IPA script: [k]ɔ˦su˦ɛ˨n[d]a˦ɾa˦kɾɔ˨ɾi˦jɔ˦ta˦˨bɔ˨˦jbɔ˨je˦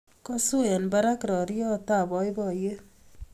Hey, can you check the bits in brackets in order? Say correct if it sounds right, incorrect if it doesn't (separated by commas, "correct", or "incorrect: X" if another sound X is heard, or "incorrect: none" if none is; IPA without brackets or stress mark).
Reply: correct, incorrect: b